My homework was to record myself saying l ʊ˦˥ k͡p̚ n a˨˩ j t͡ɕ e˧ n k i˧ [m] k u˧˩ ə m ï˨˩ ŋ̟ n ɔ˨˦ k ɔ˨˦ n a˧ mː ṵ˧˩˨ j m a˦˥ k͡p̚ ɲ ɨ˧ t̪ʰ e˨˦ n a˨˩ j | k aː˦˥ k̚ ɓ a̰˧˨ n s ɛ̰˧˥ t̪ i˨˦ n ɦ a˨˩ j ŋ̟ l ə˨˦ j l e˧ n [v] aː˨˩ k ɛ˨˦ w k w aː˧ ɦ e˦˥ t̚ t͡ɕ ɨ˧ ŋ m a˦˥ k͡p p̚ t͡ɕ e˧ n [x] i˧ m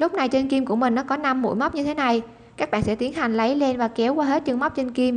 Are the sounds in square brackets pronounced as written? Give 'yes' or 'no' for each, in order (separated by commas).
yes, yes, no